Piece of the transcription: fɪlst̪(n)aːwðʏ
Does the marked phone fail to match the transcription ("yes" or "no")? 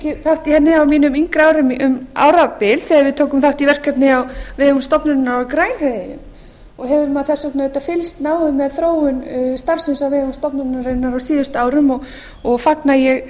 no